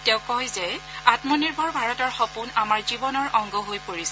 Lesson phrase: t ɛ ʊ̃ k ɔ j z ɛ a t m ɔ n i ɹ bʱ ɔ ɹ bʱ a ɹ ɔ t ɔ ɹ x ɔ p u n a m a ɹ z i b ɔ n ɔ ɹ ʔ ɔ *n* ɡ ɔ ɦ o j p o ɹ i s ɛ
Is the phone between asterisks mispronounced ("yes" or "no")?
yes